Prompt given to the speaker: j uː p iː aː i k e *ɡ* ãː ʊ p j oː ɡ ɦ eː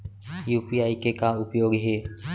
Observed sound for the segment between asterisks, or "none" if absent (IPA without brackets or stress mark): k